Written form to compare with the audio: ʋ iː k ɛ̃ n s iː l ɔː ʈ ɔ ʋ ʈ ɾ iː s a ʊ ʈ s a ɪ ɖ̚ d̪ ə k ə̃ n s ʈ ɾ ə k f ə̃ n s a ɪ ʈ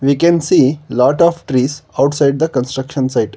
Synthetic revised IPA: ʋ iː k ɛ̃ n s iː l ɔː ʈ ɔ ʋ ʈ ɾ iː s a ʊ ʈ s a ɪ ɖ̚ d̪ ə k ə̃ n s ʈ ɾ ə k ʃ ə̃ n s a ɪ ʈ